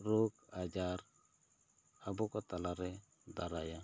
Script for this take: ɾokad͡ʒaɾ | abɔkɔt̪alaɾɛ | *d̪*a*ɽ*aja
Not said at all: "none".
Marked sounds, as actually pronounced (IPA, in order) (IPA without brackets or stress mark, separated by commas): d̪, ɾ